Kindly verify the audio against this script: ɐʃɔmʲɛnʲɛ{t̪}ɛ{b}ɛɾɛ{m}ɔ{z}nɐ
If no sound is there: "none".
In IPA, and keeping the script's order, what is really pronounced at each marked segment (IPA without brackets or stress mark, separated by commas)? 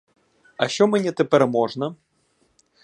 t̪, p, m, ʐ